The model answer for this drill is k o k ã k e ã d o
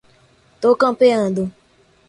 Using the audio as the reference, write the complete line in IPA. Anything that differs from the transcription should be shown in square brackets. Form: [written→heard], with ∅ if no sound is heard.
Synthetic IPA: [k→t] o k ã [k→p] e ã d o